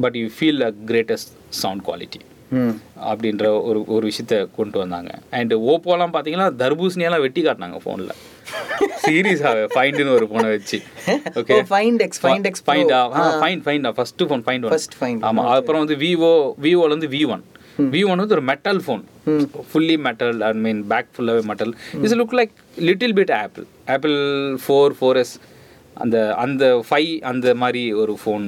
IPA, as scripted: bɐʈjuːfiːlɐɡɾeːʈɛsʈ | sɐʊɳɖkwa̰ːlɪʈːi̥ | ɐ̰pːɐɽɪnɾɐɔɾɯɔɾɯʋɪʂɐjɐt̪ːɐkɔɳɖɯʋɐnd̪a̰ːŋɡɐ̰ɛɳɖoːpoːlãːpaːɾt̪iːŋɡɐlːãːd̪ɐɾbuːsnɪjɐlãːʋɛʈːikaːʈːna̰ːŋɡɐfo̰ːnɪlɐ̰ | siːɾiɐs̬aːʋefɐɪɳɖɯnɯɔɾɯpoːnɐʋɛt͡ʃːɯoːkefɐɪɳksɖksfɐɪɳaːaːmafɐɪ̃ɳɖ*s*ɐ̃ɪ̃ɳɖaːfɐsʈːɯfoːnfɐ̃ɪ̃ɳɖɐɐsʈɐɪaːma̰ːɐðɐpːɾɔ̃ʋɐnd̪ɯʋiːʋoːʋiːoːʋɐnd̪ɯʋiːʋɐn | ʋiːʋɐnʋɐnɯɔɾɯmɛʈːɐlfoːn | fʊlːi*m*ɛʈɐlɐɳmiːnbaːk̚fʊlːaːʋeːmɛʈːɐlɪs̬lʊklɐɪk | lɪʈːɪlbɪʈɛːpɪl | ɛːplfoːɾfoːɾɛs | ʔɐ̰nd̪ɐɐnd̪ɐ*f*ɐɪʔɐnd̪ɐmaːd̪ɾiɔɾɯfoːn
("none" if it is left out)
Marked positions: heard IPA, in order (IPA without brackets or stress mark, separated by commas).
f, m, f